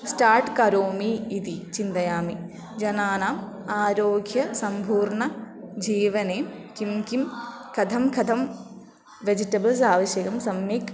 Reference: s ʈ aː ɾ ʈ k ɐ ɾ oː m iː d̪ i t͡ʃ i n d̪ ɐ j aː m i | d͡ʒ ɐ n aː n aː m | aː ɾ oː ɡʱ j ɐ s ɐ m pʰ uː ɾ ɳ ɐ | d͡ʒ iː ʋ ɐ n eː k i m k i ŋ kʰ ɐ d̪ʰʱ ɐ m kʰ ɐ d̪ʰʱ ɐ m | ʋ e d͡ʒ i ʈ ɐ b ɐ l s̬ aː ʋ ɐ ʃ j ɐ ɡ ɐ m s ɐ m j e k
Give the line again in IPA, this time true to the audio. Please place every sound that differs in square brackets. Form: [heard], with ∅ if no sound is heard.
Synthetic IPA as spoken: s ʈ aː ɾ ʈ k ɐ ɾ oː m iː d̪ i t͡ʃ i n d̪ ɐ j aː m i | d͡ʒ ɐ n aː n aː m | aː ɾ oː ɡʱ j ɐ s ɐ m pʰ uː ɾ ɳ ɐ | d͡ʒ iː ʋ ɐ n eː k i m k i [m] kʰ ɐ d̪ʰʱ ɐ m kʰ ɐ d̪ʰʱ ɐ m | ʋ e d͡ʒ i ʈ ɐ b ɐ l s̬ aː ʋ ɐ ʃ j ɐ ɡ ɐ m s ɐ m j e k